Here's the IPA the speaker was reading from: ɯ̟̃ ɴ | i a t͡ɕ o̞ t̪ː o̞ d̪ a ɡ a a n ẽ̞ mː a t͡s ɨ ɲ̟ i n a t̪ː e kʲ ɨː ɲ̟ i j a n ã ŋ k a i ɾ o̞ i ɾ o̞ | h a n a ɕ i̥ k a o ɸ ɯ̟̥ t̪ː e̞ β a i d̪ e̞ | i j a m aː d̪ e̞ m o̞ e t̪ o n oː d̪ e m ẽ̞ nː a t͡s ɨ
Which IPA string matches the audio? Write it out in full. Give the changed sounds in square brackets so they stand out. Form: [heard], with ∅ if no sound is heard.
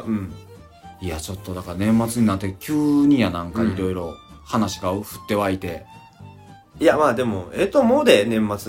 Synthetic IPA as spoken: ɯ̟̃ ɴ | i a t͡ɕ o̞ t̪ː o̞ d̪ a [k] a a n ẽ̞ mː a t͡s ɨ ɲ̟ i n a t̪ː e kʲ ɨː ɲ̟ i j a n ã ŋ k a i ɾ o̞ i ɾ o̞ | h a n a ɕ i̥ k a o ɸ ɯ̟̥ t̪ː e̞ β a i [t̪] e̞ | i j a m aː d̪ e̞ m o̞ e t̪ o [m] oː d̪ e [n] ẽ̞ [mː] a t͡s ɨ